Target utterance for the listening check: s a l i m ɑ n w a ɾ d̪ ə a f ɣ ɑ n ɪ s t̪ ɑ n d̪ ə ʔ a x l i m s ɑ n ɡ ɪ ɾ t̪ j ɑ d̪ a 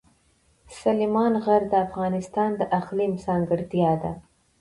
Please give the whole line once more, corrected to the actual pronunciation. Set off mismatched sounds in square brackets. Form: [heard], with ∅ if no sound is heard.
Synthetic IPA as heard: s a l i m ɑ n [ɣ] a ɾ d̪ ə a f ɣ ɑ n ɪ s t̪ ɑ n d̪ ə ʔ a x l i m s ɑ [ŋ] ɡ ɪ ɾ t̪ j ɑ d̪ a